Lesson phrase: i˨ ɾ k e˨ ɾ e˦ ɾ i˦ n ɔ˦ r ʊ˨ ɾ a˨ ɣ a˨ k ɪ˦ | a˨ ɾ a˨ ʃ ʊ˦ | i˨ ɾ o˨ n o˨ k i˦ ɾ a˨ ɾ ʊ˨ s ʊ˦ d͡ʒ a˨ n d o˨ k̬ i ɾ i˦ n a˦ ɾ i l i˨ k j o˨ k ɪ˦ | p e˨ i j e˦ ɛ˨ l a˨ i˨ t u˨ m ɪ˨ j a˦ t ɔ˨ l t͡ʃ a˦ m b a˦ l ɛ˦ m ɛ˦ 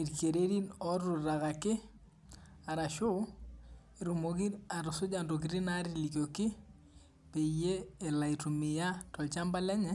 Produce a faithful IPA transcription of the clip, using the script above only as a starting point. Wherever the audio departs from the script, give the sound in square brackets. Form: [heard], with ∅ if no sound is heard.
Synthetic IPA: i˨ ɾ k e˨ ɾ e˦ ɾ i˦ n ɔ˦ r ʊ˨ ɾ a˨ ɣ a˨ k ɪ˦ | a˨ ɾ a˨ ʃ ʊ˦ | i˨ ɾ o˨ [m] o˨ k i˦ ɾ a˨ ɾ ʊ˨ s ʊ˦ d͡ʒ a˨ n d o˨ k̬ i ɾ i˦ n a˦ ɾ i l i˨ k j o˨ k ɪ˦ | p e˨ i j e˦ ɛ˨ l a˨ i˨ t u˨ m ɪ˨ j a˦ t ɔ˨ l t͡ʃ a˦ m b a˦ l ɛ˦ [ɲ] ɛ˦